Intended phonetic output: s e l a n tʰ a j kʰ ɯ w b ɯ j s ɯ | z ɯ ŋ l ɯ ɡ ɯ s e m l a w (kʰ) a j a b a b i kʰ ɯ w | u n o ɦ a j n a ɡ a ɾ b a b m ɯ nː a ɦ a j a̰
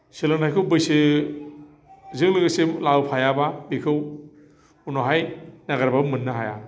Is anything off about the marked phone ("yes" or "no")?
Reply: yes